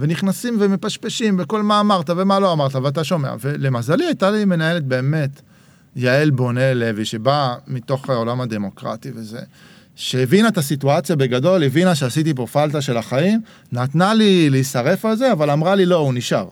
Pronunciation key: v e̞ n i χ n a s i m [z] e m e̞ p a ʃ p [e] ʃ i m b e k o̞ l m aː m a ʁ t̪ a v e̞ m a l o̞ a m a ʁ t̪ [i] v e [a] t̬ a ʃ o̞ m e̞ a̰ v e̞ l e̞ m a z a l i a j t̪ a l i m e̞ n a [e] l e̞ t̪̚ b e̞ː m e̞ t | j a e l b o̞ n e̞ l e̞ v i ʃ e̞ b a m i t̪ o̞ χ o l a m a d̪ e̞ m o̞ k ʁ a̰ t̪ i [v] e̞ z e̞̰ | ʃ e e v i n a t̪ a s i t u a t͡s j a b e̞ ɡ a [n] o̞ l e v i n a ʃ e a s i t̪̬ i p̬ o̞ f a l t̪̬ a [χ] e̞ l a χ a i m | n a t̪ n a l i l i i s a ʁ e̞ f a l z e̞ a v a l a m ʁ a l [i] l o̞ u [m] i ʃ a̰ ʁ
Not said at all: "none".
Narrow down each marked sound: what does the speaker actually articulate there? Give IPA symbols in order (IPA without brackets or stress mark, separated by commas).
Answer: v, e, a, a, e, v, d, ʃ, i, n